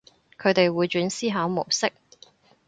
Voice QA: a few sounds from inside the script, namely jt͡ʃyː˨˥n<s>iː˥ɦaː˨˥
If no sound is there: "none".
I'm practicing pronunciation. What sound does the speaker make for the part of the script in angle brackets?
s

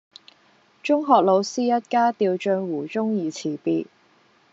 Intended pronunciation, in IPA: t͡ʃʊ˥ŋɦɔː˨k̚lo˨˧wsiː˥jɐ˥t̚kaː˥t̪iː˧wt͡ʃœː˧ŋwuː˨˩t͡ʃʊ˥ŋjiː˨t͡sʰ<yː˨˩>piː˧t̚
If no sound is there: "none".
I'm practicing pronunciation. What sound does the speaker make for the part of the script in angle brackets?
iː˨˩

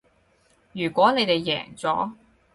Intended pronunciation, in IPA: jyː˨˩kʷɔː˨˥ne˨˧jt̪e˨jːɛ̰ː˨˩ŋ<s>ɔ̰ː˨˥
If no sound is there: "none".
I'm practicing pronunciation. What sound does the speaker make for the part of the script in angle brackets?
t͡s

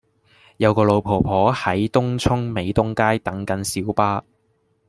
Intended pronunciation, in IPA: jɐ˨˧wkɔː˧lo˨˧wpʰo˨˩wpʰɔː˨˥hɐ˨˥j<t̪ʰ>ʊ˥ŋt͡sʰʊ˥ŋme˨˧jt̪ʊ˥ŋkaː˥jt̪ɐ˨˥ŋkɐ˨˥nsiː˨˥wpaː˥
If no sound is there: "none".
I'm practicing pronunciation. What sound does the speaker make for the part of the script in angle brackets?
t̪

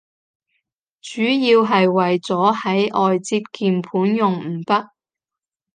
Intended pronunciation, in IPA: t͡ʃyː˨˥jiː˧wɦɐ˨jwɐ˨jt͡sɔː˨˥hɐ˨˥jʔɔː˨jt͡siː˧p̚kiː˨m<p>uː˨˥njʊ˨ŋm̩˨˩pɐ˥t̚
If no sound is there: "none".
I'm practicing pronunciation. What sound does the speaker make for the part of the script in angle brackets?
pʰ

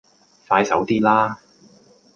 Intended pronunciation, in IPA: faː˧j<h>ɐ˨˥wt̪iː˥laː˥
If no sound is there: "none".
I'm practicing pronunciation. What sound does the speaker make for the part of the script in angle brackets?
s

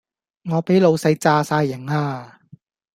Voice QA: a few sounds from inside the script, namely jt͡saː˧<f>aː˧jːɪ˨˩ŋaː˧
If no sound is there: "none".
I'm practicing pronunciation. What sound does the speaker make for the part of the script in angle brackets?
s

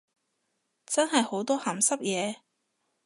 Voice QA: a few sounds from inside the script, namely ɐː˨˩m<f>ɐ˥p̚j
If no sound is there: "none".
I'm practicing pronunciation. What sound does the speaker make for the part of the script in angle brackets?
s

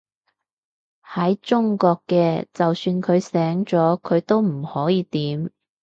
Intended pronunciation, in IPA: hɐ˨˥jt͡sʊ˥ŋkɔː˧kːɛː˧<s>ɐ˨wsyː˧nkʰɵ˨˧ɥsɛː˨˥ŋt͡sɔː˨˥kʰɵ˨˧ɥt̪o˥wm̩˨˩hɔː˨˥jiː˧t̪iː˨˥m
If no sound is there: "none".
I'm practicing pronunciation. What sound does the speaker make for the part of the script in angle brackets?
t͡s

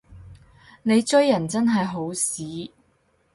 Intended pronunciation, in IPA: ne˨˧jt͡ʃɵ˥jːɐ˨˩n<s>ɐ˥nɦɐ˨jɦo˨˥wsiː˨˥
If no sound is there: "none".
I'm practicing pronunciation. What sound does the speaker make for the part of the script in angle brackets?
t͡s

